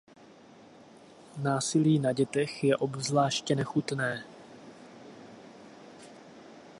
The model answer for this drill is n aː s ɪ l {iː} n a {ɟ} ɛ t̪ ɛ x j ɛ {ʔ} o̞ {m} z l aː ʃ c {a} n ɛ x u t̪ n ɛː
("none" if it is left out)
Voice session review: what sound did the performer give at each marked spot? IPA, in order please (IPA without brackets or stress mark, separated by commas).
iː, ɟ, ʔ, b, ɛ